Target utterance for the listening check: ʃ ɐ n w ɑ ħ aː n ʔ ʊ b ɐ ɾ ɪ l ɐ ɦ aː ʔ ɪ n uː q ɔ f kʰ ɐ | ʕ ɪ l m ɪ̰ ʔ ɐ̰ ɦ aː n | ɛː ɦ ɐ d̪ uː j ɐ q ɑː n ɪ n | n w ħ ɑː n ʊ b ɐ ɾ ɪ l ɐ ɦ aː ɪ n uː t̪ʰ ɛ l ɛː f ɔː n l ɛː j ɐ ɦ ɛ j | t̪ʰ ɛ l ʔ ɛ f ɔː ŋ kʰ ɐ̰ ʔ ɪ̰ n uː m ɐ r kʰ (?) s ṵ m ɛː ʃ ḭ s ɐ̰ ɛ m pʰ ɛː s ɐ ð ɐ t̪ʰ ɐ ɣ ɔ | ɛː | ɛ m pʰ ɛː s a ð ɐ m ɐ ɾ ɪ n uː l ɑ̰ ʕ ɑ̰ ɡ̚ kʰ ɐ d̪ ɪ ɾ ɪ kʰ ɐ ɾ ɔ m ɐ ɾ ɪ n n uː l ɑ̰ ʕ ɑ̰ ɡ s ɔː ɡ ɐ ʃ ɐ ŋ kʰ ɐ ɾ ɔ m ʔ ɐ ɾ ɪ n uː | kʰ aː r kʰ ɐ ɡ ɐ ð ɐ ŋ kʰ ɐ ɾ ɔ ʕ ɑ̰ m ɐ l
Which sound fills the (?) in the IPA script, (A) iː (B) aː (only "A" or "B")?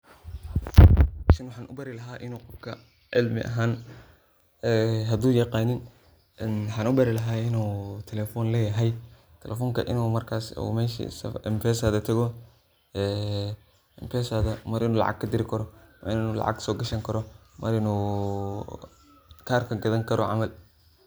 B